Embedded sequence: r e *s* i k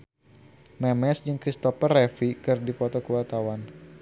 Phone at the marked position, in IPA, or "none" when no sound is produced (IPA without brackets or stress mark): f